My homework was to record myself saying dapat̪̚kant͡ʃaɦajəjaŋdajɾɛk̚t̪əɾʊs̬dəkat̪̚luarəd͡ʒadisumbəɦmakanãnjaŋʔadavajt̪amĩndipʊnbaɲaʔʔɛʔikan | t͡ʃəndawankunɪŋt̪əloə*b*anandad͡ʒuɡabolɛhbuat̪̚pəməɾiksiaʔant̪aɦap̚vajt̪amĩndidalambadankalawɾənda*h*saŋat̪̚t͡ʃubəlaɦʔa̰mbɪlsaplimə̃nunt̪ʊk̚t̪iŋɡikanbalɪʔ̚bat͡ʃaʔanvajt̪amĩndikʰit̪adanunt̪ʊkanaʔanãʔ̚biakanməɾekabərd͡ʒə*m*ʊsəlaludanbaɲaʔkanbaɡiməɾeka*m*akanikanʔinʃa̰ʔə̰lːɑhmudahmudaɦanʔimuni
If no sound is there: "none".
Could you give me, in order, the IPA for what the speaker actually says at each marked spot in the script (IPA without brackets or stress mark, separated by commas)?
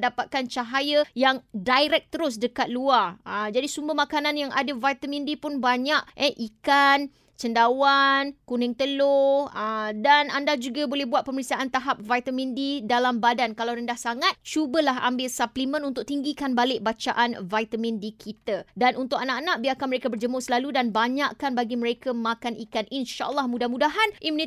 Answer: d, h, m, m